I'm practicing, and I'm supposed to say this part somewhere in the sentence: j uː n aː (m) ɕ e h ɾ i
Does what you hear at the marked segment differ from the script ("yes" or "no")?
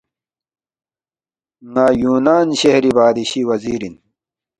yes